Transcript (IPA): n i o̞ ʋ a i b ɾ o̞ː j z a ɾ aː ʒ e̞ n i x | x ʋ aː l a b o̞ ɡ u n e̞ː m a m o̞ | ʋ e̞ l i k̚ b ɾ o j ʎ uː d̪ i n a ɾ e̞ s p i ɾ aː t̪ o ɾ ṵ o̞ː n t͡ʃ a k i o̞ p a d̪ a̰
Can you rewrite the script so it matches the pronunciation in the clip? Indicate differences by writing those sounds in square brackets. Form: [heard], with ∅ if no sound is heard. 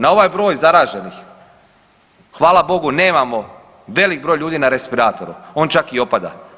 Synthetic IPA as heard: n [a] o̞ ʋ a [j] b ɾ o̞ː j z a ɾ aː ʒ e̞ n i x | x ʋ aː l a b o̞ ɡ u n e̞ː m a m o̞ | ʋ e̞ l i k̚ b ɾ o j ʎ uː d̪ i n a ɾ e̞ s p i ɾ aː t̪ o ɾ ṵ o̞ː n t͡ʃ a k i o̞ p a d̪ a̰